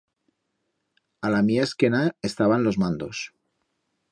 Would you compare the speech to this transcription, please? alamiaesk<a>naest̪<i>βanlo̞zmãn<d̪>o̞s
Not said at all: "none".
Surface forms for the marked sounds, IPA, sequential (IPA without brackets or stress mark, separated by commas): e, a, d̪